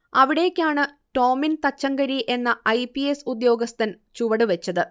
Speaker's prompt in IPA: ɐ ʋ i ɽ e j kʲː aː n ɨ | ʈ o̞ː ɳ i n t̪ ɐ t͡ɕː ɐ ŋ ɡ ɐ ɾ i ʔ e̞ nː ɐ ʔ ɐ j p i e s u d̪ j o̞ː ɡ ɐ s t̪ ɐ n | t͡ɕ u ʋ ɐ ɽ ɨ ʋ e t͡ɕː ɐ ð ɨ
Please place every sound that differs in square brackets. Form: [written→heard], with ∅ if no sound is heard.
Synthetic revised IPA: ɐ ʋ i ɽ e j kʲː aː [n→ɳ] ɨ | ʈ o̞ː [ɳ→m] i n t̪ ɐ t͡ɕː ɐ ŋ ɡ ɐ ɾ i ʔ e̞ nː ɐ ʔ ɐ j p i e s u d̪ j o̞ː ɡ ɐ s t̪ ɐ n | t͡ɕ u ʋ ɐ ɽ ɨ ʋ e t͡ɕː ɐ ð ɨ